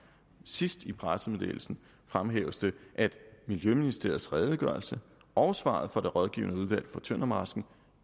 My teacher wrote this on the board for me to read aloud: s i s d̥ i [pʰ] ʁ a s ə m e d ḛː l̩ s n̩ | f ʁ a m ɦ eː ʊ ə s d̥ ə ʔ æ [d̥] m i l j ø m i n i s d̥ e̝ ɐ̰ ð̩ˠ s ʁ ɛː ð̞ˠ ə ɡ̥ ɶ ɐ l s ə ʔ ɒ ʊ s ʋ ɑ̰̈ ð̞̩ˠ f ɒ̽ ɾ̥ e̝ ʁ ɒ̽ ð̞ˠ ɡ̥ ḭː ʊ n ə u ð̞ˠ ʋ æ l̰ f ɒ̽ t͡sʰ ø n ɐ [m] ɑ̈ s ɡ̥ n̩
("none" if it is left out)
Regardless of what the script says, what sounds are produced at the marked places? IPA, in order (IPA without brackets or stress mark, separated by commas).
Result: pʰ, d̥, m